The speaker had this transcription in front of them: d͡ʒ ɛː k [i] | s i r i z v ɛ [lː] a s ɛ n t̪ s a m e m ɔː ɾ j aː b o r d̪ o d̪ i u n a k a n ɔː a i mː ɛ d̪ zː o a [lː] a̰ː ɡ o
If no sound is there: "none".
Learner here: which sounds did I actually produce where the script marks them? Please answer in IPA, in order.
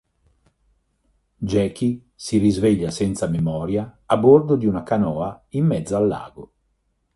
i, ʎː, lː

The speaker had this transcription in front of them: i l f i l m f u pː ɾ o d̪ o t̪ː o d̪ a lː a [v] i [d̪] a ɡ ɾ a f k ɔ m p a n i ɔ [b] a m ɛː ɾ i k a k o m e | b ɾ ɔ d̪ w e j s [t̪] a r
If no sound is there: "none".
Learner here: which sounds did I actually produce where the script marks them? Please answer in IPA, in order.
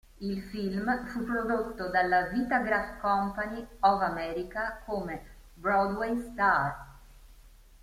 v, t̪, v, t̪

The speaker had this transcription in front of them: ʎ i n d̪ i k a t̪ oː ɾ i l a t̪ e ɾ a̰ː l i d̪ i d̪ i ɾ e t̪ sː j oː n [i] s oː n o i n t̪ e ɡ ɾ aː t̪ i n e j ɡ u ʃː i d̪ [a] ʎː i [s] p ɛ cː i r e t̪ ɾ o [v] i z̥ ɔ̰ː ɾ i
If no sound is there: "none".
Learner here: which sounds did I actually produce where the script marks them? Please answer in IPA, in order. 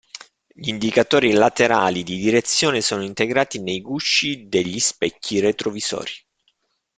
e, e, s, v

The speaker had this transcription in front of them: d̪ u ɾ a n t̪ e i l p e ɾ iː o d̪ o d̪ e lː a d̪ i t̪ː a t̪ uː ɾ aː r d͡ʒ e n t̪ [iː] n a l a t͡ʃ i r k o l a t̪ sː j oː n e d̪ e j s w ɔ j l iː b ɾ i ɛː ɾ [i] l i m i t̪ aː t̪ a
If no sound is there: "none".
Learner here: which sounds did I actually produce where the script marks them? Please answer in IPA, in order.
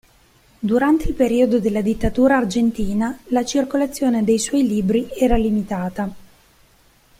iː, a

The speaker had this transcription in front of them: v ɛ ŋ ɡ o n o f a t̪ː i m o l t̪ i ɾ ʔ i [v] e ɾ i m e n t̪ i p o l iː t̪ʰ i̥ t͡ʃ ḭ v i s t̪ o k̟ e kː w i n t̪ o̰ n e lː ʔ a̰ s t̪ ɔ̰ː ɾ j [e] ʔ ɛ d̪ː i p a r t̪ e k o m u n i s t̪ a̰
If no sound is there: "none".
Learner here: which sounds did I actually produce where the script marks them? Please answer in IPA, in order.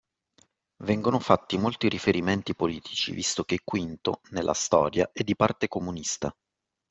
f, a

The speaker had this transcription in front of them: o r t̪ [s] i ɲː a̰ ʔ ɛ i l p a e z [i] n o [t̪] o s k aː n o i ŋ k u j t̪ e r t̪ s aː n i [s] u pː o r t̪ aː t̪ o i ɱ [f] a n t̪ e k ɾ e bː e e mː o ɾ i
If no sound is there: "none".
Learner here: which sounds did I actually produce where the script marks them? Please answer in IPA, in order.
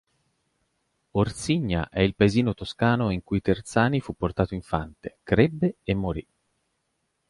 s, iː, t̪, f, f

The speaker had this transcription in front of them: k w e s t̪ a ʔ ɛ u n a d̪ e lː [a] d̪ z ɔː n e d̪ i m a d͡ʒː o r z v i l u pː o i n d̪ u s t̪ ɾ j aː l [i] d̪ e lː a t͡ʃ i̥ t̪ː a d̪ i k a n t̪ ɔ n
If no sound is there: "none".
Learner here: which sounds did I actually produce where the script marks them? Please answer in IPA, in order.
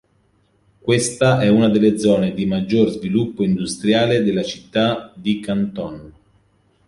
e, e

